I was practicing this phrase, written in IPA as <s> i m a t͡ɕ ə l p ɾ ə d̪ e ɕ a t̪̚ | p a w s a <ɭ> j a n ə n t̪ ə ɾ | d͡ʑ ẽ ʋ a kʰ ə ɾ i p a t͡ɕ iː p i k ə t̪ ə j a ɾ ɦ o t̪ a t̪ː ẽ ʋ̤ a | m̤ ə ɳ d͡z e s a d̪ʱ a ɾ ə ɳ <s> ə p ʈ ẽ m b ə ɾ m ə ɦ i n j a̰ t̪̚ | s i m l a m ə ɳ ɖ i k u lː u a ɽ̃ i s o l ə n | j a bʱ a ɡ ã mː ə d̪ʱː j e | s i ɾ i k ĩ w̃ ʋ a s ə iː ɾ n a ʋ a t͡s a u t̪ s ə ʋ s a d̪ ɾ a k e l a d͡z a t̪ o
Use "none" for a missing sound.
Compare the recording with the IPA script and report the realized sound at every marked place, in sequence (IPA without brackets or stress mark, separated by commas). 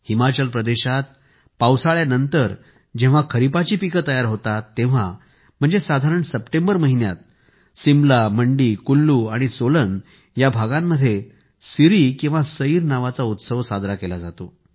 h, ɭ, s